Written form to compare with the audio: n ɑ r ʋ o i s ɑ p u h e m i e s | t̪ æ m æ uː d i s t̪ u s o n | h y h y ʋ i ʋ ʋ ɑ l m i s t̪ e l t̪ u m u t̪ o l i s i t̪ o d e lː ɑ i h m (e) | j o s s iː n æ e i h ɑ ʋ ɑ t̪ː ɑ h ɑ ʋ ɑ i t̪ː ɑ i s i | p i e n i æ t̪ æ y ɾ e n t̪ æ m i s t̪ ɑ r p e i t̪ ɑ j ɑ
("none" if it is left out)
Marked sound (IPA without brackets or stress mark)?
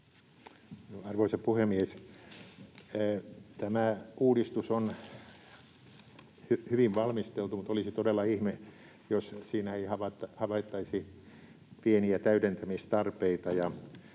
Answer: e